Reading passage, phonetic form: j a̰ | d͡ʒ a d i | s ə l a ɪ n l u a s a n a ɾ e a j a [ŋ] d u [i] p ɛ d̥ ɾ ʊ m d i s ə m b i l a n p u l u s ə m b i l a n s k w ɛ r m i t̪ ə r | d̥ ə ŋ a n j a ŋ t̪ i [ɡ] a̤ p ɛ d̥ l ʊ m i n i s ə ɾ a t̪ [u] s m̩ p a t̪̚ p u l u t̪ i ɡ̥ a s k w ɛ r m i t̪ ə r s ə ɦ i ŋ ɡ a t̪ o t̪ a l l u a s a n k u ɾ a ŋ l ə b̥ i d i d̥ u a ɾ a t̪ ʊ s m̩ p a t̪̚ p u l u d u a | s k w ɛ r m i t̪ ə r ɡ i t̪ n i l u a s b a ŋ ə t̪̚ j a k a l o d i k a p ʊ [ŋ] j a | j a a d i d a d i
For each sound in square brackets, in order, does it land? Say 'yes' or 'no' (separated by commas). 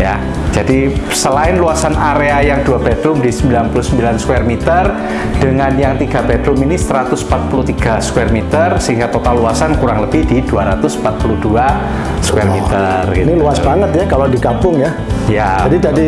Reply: yes, no, yes, no, yes